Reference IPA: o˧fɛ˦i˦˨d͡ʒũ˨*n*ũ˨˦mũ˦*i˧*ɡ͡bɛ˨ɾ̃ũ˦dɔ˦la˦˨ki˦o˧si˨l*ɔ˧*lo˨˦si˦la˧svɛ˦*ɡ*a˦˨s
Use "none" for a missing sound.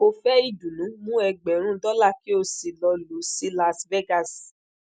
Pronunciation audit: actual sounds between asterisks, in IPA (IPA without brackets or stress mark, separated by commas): n, ɛ˧, ɔ˧, ɡ